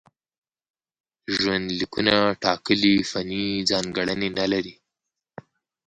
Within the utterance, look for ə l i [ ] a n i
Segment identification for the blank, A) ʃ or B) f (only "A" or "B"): B